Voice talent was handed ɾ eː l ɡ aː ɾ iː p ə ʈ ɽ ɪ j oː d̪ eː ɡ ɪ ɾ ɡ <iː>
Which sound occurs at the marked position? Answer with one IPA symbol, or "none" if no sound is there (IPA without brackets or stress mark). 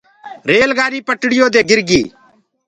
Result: iː